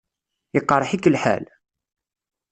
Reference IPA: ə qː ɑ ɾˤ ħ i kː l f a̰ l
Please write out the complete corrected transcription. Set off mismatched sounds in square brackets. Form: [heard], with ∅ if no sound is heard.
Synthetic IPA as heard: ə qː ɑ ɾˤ ħ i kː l [ħ] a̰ l